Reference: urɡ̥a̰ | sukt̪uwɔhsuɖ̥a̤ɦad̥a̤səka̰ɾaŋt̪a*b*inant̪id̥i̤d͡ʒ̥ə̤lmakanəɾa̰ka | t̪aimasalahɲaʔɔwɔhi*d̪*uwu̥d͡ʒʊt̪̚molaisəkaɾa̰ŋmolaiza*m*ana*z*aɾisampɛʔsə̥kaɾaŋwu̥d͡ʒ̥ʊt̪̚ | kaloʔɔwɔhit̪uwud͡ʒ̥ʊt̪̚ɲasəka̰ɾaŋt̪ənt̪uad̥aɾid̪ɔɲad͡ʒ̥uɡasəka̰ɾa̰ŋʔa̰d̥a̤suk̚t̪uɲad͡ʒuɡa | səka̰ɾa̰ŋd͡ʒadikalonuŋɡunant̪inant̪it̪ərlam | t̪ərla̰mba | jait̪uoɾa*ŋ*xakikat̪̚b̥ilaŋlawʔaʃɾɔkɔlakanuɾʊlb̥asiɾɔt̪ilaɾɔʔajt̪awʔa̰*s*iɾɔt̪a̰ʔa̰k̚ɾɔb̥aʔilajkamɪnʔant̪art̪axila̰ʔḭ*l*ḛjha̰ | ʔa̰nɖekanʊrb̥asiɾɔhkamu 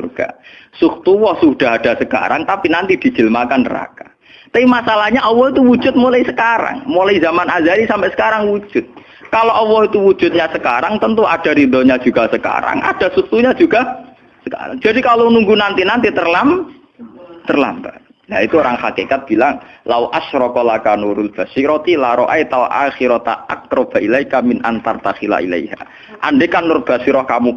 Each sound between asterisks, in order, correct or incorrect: incorrect: p, incorrect: t̪, correct, correct, correct, incorrect: x, correct

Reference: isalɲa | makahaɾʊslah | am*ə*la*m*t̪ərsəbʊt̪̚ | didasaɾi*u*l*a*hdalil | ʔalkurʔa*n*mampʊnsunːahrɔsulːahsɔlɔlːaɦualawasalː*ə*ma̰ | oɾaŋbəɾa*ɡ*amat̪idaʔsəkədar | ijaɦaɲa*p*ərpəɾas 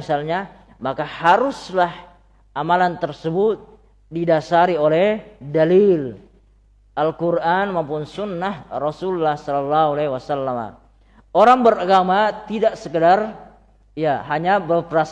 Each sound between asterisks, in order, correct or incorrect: incorrect: a, incorrect: n, incorrect: o, incorrect: ɛ, correct, incorrect: a, correct, incorrect: b

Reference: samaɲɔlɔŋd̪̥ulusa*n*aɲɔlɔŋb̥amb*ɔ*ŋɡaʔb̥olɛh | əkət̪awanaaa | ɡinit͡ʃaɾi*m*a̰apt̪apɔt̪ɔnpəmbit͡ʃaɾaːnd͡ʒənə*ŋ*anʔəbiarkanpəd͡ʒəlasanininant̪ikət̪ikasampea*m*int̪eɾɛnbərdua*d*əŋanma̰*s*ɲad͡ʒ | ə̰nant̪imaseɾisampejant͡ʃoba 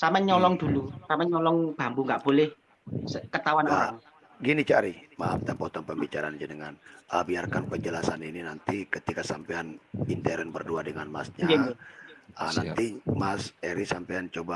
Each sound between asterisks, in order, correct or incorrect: incorrect: m, incorrect: u, correct, correct, incorrect: n, correct, correct

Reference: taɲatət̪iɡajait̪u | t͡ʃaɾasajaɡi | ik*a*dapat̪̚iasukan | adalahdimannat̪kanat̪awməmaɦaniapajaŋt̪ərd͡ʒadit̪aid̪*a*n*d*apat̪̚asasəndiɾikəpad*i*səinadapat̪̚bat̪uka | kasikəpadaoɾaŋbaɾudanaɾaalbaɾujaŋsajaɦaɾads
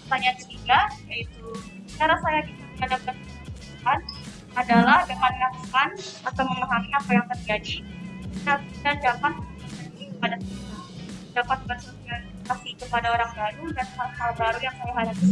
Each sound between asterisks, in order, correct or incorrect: correct, correct, incorrect: d͡ʒ, incorrect: a

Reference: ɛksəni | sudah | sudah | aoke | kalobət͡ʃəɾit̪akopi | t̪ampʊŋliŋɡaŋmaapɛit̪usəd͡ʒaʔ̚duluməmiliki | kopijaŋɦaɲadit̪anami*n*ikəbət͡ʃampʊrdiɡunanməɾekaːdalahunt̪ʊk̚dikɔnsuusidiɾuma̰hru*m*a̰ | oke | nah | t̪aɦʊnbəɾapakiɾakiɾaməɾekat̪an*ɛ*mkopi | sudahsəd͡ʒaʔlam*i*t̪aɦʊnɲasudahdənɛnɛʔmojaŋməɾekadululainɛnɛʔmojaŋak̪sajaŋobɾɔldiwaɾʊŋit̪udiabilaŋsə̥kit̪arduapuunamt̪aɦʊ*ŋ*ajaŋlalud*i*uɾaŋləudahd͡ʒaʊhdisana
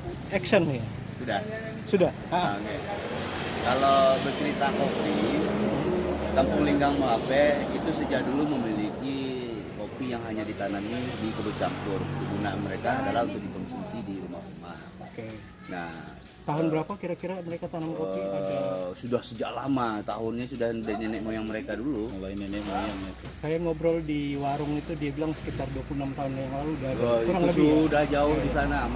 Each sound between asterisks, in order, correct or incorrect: incorrect: d, correct, incorrect: a, incorrect: a, incorrect: n, incorrect: a

